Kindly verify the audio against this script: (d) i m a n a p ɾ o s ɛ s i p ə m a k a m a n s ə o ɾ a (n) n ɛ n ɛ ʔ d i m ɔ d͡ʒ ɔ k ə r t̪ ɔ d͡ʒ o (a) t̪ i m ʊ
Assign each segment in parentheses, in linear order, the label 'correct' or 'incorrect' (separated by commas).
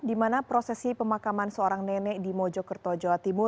correct, incorrect, correct